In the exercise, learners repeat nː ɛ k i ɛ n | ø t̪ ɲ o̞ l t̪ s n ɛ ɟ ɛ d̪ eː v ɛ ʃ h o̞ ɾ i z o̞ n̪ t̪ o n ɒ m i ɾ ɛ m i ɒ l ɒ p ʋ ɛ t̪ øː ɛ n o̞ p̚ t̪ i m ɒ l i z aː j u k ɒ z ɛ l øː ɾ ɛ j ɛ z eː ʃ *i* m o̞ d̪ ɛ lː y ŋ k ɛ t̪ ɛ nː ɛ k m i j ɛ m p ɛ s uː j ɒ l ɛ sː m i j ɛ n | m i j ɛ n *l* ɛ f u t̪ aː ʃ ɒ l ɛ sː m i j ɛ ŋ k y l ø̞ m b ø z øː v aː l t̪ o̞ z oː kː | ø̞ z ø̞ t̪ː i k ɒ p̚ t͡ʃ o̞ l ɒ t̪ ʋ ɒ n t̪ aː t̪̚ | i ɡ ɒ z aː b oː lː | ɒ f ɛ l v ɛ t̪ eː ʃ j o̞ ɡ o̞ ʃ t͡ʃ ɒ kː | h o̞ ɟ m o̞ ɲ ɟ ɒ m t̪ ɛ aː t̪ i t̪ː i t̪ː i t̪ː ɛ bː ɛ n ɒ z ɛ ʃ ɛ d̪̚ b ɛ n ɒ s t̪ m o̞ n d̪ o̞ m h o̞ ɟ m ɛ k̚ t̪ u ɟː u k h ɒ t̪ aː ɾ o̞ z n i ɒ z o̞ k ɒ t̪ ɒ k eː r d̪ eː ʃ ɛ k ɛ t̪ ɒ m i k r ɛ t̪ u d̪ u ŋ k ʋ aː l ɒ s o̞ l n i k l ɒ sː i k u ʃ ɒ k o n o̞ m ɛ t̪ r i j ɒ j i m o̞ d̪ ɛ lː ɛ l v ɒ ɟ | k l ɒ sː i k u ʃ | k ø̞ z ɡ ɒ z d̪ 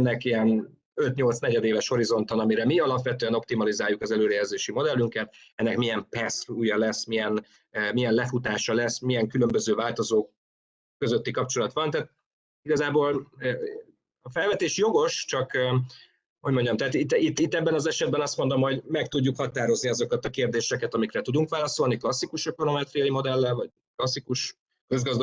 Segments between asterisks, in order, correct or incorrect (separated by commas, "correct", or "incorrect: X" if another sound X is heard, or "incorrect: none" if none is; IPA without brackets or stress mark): correct, correct